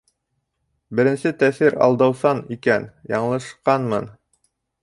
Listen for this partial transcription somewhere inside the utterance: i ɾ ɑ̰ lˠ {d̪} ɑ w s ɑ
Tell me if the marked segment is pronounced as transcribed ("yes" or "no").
yes